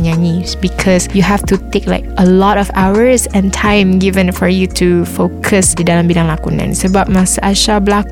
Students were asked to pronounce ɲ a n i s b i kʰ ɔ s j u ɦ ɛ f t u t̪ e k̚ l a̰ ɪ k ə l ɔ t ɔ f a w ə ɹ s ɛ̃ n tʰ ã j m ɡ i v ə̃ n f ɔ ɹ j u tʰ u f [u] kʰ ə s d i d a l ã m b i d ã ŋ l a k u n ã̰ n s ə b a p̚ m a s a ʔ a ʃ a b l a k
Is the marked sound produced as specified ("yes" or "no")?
no